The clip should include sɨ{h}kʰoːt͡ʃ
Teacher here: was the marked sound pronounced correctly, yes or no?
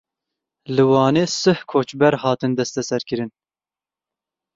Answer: yes